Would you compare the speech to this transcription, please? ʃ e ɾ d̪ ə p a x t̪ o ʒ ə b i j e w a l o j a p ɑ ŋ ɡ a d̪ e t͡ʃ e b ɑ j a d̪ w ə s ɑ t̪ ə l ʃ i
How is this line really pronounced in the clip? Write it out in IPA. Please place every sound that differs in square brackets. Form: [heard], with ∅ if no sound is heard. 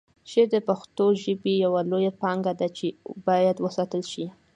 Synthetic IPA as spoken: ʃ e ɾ d̪ ə p a x t̪ o ʒ ə b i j [a] w a l o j a p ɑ ŋ ɡ a d̪ [a] t͡ʃ e b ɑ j a d̪ w ə s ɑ t̪ ə l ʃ i